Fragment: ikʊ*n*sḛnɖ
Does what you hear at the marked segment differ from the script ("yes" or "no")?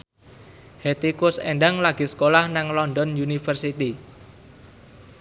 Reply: yes